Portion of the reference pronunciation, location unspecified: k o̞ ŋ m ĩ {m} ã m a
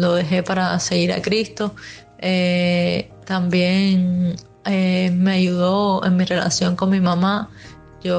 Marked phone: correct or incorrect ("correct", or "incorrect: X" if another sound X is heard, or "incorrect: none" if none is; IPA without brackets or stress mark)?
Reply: correct